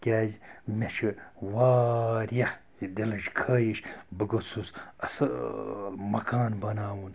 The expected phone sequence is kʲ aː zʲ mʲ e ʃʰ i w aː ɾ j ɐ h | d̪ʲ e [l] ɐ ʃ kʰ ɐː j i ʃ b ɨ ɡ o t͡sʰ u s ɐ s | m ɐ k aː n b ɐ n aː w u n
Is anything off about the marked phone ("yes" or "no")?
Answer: no